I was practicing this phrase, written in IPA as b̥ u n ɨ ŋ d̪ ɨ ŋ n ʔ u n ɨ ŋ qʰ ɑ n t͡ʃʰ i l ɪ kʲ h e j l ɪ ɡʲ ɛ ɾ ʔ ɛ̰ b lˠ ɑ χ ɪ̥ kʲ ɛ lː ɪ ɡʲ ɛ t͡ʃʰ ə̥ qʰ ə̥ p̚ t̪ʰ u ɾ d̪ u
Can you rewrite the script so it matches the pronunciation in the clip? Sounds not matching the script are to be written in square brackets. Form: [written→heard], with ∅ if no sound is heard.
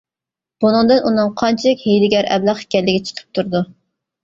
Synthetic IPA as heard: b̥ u n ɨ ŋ d̪ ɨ [ŋ→∅] n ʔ u n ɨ ŋ qʰ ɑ n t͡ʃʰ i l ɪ kʲ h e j l ɪ ɡʲ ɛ ɾ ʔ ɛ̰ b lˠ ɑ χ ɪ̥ kʲ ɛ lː ɪ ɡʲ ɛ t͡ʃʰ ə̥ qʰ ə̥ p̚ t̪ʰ u ɾ d̪ u

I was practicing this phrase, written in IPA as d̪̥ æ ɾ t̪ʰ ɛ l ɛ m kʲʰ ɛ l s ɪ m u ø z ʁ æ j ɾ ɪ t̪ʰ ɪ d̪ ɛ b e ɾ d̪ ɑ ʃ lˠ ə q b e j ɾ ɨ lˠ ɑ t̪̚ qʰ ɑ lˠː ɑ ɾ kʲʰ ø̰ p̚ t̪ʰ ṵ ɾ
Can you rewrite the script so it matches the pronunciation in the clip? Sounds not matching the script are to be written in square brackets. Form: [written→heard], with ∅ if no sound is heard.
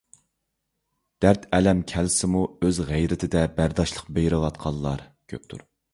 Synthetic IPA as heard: d̪̥ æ ɾ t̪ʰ ɛ l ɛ m kʲʰ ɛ l s ɪ m u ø z ʁ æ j ɾ ɪ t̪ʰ ɪ d̪ ɛ b [e→æ] ɾ d̪ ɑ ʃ lˠ ə q b e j ɾ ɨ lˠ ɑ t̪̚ qʰ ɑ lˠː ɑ ɾ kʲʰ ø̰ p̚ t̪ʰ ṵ ɾ

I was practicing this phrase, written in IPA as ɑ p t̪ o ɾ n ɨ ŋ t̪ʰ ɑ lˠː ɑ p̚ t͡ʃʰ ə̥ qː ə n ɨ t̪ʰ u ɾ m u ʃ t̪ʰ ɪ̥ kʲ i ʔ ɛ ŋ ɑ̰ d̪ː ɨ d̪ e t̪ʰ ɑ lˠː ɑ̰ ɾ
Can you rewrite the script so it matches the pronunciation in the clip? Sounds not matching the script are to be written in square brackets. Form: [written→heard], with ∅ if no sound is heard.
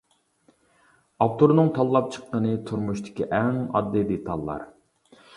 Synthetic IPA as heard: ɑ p t̪ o ɾ n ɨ ŋ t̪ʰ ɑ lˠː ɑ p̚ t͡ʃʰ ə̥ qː ə n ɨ t̪ʰ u ɾ m u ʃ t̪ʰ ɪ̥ kʲ i ʔ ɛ ŋ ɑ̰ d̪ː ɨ d̪ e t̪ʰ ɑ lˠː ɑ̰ ɾ

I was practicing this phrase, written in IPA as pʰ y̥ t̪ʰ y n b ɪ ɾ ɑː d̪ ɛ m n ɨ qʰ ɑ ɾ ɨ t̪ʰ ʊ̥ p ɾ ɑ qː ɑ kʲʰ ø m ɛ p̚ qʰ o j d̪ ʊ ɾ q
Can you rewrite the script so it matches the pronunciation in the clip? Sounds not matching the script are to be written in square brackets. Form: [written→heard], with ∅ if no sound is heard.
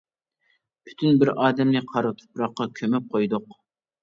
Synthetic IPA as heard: pʰ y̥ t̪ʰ y n b ɪ ɾ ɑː d̪ ɛ m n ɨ qʰ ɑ ɾ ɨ t̪ʰ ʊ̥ p ɾ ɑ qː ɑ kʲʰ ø m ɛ p̚ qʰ o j d̪ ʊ [ɾ→∅] q

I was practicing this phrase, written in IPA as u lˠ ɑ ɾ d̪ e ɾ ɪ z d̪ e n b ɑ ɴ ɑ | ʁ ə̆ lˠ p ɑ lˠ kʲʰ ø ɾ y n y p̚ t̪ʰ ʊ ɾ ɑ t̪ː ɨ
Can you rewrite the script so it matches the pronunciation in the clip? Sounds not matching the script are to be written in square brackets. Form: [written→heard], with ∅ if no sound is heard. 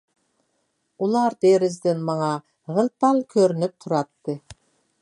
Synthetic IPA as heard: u lˠ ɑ ɾ d̪ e ɾ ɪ z d̪ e n [b→m] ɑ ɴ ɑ | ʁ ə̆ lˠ p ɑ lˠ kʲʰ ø ɾ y n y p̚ t̪ʰ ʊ ɾ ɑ t̪ː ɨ

